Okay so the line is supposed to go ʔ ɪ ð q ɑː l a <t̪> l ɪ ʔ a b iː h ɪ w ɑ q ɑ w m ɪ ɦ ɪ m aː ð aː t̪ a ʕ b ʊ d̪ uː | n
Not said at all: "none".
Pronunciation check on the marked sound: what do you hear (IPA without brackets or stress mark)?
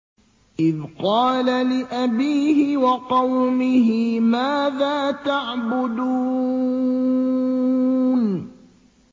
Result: none